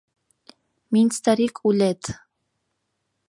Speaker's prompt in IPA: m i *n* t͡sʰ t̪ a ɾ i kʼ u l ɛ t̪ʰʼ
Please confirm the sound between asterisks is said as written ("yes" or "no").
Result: yes